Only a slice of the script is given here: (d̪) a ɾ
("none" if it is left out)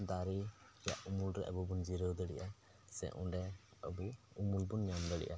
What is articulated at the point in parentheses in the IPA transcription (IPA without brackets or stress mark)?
d̪